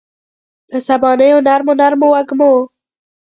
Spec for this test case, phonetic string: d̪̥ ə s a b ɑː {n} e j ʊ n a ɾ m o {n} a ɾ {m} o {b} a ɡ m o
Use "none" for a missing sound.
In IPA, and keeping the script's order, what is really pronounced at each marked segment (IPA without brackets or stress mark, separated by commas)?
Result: n, n, m, w